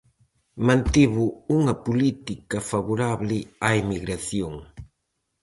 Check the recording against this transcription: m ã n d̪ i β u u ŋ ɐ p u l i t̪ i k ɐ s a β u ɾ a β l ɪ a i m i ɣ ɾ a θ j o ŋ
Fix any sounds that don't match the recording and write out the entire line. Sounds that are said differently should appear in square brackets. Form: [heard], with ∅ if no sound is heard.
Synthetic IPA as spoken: m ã n [t̪] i β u u ŋ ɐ p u l i t̪ i k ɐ [f] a β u ɾ a β l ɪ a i m i ɣ ɾ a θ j o ŋ